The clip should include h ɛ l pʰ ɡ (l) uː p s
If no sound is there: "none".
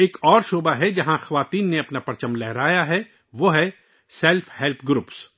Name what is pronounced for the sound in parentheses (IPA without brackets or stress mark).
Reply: ɾ